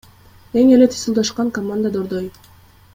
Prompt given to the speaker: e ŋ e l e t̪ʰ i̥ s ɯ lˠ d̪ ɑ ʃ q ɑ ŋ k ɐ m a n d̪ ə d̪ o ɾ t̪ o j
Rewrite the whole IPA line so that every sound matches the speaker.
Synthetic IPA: e ŋ e l e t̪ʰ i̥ s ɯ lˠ d̪ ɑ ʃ q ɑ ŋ k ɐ m a n d̪ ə d̪ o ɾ d̪ o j